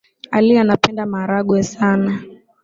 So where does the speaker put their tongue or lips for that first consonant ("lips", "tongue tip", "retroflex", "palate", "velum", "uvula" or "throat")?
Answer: tongue tip